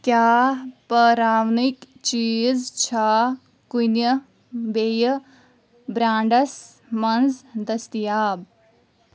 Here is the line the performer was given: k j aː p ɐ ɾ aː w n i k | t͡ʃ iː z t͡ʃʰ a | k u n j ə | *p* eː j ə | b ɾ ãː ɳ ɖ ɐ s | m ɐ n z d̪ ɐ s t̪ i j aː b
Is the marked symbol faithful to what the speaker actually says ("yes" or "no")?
no